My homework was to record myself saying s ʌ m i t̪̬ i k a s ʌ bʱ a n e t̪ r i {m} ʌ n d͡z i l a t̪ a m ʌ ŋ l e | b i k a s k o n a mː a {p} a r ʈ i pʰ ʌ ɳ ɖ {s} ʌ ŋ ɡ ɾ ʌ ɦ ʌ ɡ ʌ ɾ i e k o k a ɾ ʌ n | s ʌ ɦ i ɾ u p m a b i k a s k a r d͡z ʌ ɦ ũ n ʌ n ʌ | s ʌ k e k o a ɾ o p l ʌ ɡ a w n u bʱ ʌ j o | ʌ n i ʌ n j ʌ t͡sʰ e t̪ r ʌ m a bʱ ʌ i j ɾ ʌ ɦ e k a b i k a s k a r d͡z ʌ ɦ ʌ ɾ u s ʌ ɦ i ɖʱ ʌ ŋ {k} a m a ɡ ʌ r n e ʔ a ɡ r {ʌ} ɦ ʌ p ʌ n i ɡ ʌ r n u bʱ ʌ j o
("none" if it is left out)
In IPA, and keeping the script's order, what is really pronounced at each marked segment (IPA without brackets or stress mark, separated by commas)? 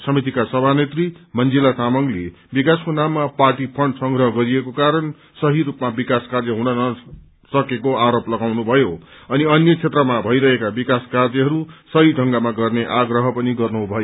m, p, s, ɡ, ʌ